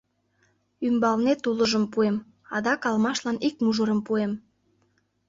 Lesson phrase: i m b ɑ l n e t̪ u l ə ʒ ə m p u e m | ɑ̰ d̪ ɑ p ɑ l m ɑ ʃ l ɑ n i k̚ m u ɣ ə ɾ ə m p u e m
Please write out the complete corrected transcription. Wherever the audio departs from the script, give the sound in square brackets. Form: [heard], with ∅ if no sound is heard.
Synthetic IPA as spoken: [y] m b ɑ l n e t̪ u l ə ʒ ə m p u e m | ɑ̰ d̪ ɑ [k] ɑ l m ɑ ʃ l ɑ n i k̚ m u [ʒ] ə ɾ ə m p u e m